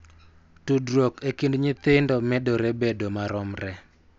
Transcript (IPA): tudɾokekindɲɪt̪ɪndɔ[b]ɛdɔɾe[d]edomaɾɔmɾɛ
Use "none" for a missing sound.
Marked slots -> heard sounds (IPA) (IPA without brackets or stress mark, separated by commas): m, b